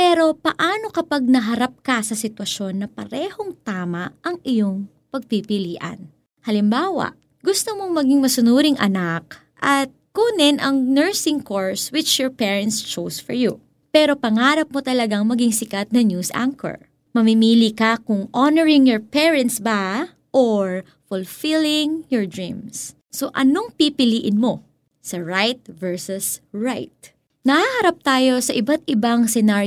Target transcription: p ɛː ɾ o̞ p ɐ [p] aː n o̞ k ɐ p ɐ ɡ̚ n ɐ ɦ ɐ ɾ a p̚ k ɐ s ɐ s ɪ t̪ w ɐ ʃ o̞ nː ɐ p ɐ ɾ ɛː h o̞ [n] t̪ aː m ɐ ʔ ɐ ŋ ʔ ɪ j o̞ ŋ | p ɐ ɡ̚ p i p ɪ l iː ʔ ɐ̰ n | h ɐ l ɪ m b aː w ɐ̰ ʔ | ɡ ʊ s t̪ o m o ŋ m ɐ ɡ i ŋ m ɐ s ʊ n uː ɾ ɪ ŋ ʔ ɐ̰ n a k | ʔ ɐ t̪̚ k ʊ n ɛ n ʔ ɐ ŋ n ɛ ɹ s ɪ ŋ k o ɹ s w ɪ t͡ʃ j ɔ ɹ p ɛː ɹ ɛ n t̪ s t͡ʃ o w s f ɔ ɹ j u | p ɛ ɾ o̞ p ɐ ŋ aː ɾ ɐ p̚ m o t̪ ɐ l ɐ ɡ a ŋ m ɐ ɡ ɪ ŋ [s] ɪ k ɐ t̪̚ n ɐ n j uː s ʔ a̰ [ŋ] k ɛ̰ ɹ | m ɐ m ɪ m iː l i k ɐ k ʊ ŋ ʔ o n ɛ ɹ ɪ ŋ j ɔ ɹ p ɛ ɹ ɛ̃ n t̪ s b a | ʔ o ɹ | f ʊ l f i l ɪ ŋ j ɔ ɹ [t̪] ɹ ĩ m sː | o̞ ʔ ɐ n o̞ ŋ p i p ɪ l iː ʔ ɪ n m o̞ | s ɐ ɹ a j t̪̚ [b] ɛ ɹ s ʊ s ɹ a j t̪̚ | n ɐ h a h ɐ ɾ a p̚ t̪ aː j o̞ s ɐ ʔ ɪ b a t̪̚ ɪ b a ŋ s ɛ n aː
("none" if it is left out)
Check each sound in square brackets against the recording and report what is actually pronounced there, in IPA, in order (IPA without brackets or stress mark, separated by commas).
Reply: ʔ, ŋ, s, ŋ, d̪, v